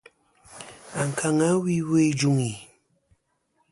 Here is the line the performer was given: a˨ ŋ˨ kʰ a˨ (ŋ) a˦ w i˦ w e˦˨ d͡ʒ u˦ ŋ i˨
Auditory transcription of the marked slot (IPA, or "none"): ŋ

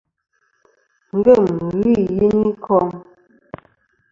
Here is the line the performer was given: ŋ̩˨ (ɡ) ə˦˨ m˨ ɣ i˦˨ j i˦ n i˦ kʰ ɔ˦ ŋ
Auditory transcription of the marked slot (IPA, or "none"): ɡ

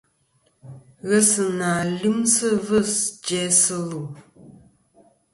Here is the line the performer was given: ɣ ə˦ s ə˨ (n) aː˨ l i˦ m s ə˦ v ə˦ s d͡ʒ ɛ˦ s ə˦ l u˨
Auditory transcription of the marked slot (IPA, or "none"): n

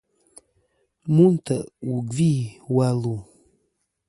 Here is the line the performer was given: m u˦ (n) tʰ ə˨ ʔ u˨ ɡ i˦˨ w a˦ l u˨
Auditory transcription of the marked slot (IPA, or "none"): n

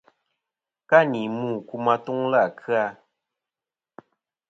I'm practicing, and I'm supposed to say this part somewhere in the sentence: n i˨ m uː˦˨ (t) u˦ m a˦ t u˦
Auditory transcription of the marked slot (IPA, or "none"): k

